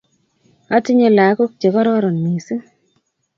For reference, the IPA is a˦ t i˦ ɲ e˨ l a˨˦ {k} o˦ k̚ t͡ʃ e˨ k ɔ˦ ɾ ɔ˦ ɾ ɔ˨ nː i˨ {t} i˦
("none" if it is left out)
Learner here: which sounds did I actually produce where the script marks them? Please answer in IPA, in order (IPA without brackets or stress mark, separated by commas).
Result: k, s